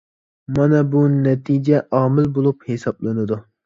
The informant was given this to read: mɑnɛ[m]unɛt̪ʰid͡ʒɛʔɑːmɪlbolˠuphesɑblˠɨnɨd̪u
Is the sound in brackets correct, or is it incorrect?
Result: incorrect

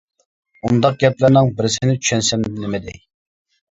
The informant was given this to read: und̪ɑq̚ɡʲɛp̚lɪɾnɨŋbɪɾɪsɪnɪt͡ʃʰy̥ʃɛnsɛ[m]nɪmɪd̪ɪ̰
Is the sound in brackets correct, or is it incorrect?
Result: correct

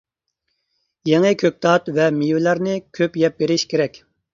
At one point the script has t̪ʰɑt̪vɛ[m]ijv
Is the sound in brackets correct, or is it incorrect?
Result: correct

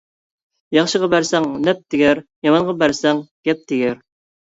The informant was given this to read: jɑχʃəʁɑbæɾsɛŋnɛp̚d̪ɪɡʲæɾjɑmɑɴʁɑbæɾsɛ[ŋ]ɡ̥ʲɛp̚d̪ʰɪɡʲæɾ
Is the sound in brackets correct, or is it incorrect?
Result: correct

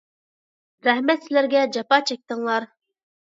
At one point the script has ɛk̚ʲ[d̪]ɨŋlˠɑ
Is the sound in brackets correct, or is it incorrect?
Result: incorrect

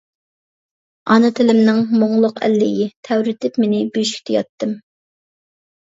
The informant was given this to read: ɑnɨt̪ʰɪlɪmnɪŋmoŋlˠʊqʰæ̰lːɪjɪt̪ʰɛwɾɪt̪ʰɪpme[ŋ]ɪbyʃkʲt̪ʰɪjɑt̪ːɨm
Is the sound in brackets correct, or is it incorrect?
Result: incorrect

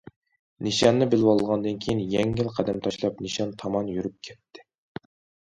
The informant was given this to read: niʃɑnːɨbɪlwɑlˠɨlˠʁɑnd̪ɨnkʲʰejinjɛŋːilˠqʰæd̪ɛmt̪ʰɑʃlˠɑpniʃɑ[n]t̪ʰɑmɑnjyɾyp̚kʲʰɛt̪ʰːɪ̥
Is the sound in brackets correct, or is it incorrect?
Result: correct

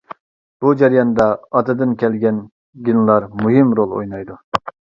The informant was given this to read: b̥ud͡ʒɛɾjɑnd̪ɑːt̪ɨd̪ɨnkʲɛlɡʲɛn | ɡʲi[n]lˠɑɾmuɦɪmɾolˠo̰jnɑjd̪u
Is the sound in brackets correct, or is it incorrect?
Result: correct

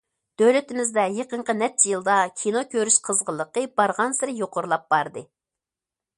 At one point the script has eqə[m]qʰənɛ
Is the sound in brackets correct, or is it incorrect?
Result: incorrect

